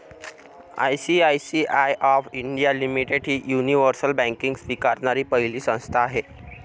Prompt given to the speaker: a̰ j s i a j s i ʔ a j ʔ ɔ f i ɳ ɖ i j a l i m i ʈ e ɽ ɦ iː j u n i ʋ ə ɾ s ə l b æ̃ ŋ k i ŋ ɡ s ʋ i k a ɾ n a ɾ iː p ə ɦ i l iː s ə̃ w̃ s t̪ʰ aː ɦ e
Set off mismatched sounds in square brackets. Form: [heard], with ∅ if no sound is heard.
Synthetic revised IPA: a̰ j s i a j s i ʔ a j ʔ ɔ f i ɳ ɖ i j a l i m i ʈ e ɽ ɦ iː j u n i ʋ ə ɾ s ə l b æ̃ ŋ k i ŋ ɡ s ʋ i k a ɾ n a ɾ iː p ə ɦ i l iː s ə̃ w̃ s t̪ʰ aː ɦ e